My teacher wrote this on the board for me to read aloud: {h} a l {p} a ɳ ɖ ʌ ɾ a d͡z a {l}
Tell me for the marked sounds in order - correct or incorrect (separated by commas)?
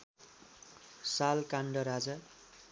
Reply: incorrect, incorrect, incorrect